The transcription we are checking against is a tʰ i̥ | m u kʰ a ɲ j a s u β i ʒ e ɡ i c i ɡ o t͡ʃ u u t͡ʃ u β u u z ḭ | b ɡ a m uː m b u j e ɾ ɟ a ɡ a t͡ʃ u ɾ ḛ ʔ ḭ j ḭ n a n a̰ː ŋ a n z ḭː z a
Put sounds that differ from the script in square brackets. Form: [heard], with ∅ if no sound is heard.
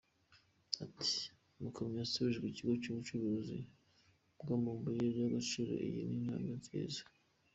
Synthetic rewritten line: a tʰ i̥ | m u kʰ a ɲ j a s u β i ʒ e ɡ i c i ɡ o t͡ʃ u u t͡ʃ u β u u z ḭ | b ɡ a m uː m b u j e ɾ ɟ a ɡ a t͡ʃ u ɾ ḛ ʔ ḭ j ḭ n [i] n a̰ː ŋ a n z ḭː z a